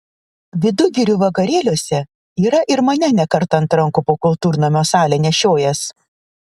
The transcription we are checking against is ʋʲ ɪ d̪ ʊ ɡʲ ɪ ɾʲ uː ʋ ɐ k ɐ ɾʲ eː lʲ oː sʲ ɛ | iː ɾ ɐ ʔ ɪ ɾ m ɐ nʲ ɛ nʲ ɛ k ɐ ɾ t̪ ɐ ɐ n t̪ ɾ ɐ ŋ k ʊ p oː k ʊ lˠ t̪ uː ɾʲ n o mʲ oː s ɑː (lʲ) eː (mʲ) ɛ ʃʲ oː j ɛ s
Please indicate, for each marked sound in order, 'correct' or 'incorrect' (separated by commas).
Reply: correct, incorrect